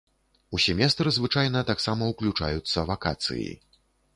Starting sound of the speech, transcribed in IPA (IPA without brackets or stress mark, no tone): u